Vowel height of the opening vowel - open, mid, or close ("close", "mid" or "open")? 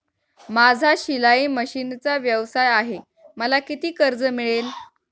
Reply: open